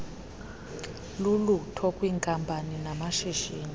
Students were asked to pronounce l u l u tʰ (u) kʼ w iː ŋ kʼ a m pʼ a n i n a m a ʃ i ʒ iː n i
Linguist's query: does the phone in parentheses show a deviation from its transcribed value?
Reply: yes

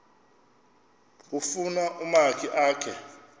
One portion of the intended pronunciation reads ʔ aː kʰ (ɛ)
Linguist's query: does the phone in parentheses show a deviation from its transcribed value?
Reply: no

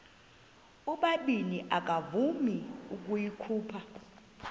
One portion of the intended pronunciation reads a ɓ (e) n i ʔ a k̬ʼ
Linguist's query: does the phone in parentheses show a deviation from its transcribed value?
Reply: yes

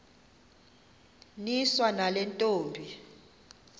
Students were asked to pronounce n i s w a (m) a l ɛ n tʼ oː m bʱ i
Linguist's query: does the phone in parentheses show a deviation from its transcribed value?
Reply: yes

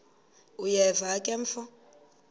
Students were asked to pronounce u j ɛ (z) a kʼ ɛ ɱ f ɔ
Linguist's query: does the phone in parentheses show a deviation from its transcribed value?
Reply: yes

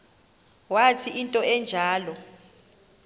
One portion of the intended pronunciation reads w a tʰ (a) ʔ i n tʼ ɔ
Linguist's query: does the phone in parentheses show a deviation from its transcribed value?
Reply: yes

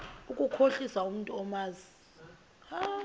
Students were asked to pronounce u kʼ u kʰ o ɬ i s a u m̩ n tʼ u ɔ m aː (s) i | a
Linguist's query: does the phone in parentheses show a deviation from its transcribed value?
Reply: yes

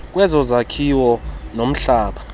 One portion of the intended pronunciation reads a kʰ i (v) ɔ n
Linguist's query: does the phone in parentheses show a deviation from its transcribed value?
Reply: yes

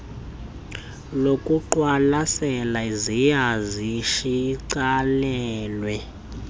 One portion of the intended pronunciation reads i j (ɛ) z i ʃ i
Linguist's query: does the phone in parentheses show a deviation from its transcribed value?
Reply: yes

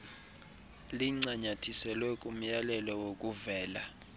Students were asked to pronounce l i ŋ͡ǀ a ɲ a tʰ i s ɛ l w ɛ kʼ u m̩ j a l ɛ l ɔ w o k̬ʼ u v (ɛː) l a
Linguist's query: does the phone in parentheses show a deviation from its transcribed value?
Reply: no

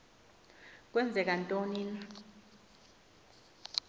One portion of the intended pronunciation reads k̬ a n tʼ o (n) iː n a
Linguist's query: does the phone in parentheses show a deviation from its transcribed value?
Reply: no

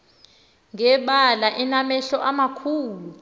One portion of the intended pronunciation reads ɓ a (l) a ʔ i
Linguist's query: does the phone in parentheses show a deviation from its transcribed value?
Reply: no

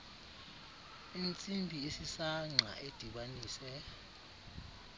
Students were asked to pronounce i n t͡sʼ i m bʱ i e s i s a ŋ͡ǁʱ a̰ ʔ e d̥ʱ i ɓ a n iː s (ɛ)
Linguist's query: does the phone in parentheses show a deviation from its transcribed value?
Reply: no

